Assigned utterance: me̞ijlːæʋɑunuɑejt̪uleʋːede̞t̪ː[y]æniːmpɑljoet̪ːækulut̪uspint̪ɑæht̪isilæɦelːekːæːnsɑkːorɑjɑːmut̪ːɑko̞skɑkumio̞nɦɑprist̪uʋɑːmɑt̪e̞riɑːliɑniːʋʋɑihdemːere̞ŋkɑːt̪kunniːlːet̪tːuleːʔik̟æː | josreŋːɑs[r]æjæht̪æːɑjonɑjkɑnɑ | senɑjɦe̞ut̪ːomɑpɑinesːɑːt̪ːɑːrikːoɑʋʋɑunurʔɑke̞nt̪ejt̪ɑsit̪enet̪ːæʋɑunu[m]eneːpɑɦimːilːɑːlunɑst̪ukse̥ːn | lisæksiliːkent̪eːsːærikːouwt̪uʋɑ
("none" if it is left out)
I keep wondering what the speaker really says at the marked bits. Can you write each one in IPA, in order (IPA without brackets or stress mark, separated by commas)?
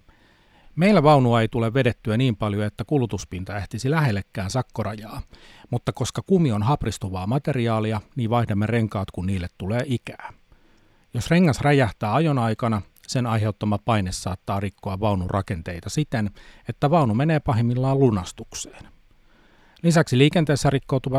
y, r, m